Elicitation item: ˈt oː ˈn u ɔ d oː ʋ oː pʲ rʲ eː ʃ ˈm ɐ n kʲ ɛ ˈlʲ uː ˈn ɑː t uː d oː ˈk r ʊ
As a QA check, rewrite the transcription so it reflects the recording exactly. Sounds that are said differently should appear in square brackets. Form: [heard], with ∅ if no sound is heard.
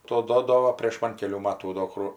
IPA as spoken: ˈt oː [ˈd] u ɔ d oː ʋ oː pʲ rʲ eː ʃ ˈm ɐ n kʲ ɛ ˈlʲ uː [ˈm] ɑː t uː d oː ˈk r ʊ

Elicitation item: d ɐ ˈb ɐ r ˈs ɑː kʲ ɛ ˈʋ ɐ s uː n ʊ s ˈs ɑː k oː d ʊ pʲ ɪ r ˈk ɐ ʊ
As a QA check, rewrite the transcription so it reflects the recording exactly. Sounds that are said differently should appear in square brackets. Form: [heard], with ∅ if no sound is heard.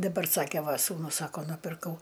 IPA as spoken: d ɐ ˈb ɐ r ˈs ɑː kʲ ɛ ˈʋ ɐ s uː n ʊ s ˈs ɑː k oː [n] ʊ pʲ ɪ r ˈk ɐ ʊ

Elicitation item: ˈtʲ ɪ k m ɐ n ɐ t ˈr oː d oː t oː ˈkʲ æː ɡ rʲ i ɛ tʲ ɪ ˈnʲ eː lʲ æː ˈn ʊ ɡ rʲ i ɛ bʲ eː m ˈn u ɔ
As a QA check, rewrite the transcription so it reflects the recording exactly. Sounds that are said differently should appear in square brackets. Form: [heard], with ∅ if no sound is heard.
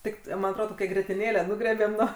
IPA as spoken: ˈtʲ ɪ k m ɐ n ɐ t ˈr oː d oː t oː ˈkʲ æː ɡ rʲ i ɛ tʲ ɪ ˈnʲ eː lʲ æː ˈn ʊ ɡ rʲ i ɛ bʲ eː m ˈn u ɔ

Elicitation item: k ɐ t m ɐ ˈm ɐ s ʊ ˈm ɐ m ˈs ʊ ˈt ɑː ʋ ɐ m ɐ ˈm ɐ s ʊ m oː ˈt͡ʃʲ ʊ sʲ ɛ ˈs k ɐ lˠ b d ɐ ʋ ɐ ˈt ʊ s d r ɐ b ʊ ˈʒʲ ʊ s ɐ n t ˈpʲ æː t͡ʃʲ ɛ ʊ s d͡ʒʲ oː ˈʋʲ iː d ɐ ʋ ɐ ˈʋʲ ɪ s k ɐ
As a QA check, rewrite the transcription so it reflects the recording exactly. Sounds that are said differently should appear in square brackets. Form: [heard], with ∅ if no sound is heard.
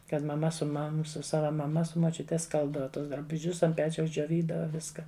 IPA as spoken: k ɐ t m ɐ ˈm ɐ s ʊ ˈm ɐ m ˈs ʊ [ˈs] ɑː ʋ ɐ m ɐ ˈm ɐ s ʊ m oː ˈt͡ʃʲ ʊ [tʲ] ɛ ˈs k ɐ lˠ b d ɐ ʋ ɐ ˈt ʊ s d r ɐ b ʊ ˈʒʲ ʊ s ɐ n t ˈpʲ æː t͡ʃʲ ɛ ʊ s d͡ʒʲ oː ˈʋʲ iː d ɐ ʋ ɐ ˈʋʲ ɪ s k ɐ

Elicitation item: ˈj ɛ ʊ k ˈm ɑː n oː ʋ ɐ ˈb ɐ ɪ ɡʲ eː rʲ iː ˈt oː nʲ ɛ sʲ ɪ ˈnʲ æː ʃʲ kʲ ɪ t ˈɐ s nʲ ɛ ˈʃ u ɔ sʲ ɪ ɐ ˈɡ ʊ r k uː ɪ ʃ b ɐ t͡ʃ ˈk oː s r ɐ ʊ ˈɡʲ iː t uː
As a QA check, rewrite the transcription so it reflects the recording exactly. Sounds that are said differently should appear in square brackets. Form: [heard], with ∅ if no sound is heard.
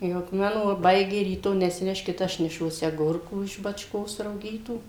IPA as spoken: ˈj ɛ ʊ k ˈm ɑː n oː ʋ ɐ ˈb ɐ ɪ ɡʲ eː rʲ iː ˈt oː nʲ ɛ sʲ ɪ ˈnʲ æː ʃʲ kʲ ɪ t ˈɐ [ʃ] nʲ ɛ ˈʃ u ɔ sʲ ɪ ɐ ˈɡ ʊ r k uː ɪ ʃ b ɐ t͡ʃ ˈk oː s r ɐ ʊ ˈɡʲ iː t uː

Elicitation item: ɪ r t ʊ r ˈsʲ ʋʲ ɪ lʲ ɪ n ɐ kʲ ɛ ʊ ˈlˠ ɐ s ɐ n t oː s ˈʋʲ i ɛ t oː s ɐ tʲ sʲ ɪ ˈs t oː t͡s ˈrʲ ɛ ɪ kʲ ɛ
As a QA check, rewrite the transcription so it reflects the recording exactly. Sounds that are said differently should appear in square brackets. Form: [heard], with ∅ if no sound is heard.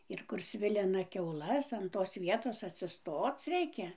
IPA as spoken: ɪ r [k] ʊ r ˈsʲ ʋʲ ɪ lʲ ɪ n ɐ kʲ ɛ ʊ ˈlˠ ɐ s ɐ n t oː s ˈʋʲ i ɛ t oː s ɐ tʲ sʲ ɪ ˈs t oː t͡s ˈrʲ ɛ ɪ kʲ ɛ

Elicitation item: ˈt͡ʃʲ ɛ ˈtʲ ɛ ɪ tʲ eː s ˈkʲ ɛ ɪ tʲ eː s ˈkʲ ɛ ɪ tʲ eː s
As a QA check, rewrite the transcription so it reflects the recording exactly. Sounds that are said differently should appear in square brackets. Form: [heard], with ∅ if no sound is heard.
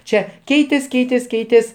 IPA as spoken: ˈt͡ʃʲ ɛ [ˈkʲ] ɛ ɪ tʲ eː s ˈkʲ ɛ ɪ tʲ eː s ˈkʲ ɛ ɪ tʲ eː s

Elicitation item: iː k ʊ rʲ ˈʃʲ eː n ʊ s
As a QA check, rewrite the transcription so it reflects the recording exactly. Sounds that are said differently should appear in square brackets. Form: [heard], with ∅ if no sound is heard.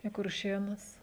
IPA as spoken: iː k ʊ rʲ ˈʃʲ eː n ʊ s

